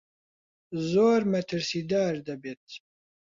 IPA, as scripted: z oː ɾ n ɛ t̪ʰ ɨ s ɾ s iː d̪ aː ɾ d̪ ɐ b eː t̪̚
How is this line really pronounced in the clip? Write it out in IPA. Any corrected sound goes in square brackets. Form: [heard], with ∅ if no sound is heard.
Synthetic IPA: z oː ɾ [m] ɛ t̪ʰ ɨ [∅] ɾ s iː d̪ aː ɾ d̪ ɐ b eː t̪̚